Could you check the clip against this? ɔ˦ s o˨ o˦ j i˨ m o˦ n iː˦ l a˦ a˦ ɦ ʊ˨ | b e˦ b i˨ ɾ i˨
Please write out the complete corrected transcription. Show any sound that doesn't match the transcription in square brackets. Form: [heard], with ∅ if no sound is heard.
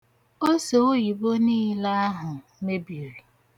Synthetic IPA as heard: [o˦] s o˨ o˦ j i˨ [b] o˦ n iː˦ l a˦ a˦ ɦ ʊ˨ | [m] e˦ b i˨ ɾ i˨